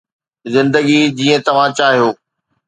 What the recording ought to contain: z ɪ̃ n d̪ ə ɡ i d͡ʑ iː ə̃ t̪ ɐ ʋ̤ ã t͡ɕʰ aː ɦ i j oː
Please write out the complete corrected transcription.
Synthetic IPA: z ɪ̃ n d̪ ə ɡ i d͡ʑ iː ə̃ t̪ ɐ ʋ̤ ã t͡ɕ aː ɦ i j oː